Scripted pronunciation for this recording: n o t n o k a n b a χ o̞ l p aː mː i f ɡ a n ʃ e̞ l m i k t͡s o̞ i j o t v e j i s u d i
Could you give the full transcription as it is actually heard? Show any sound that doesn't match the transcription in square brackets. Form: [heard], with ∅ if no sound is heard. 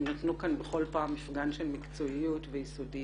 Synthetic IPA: n o t n [u] k a n b [e] χ o̞ l p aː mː i f ɡ a n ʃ e̞ l m i k t͡s o̞ i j [u] t v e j i s [o] d i